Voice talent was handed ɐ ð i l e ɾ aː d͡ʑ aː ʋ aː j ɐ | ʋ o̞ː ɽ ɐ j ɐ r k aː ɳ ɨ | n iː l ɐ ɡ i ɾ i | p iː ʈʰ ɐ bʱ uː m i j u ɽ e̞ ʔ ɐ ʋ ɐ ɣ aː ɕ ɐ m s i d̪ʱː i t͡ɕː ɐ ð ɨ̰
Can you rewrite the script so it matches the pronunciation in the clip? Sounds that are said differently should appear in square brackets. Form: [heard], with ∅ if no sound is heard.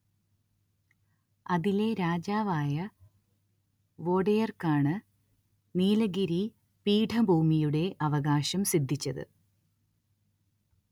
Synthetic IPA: ɐ ð i l e ɾ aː d͡ʑ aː ʋ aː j ɐ | ʋ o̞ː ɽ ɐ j ɐ r k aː ɳ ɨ | n iː l ɐ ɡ i ɾ i | p iː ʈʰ ɐ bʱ uː m i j u ɽ e̞ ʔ ɐ ʋ ɐ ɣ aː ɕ ɐ m s i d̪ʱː i t͡ɕː ɐ ð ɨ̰